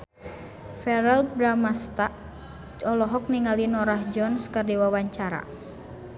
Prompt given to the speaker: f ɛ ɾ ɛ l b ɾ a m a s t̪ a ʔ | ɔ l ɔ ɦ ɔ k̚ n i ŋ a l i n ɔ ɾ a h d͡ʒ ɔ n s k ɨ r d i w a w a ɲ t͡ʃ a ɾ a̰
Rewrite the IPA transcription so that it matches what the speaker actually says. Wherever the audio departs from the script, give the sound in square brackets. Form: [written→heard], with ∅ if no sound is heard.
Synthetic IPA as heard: f ɛ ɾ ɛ l b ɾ a m a s t̪ a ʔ | ɔ l ɔ ɦ ɔ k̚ n i ŋ a l i n ɔ ɾ a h d͡ʒ ɔ n s k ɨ r d i w a w a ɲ t͡ʃ a ɾ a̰